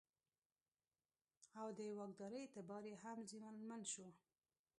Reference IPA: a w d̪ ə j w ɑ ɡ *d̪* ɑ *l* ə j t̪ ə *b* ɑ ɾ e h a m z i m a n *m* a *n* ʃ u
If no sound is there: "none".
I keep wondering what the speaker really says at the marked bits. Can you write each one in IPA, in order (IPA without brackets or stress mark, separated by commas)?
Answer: d̪, ɾ, b, m, n